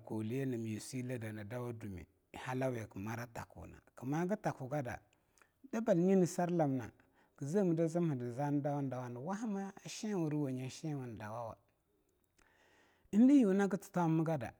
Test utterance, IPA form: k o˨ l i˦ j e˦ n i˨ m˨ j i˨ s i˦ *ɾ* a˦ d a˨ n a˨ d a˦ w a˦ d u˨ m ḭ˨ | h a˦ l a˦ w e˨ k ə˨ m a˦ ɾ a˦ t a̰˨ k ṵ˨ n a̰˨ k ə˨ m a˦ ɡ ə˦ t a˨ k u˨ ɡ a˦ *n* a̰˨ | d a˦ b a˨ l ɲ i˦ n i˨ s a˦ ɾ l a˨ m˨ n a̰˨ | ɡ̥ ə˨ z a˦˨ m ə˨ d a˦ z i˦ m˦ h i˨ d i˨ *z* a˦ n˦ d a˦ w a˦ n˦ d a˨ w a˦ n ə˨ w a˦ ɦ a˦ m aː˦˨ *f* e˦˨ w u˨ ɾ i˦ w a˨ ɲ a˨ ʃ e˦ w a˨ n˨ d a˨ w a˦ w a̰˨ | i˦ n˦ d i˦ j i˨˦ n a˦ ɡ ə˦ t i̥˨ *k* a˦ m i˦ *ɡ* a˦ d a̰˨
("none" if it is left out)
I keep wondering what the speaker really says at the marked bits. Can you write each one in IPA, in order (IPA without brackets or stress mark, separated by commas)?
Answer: l, d, z, ʃ, t, ɡ